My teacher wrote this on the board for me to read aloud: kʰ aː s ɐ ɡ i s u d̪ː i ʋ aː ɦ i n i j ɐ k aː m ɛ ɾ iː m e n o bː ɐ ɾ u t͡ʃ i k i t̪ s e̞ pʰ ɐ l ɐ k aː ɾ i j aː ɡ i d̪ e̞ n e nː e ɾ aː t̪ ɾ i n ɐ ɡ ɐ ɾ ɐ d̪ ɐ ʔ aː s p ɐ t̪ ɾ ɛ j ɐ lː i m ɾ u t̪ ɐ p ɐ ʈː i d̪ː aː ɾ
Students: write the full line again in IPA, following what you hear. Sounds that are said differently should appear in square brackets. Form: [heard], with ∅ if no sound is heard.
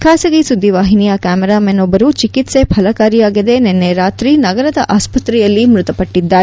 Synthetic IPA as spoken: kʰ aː s ɐ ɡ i s u d̪ː i ʋ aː ɦ i n i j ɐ k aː m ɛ ɾ [aː] m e n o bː ɐ ɾ u t͡ʃ i k i t̪ s e̞ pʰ ɐ l ɐ k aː ɾ i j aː ɡ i d̪ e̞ n e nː e ɾ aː t̪ ɾ i n ɐ ɡ ɐ ɾ ɐ d̪ ɐ ʔ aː s p ɐ t̪ ɾ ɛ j ɐ lː i m ɾ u t̪ ɐ p ɐ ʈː i d̪ː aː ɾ